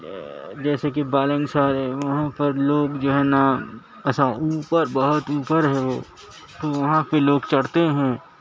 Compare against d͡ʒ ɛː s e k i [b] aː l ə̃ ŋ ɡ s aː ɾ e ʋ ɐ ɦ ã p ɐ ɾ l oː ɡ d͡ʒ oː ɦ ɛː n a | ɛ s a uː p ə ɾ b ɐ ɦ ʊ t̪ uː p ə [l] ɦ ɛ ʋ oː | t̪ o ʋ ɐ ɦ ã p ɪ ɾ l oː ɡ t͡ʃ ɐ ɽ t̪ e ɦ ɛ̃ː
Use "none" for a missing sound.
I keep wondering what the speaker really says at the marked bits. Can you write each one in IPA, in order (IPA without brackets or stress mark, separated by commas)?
b, ɾ